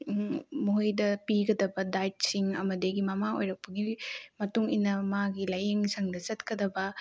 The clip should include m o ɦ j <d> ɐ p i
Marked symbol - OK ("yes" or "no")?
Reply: yes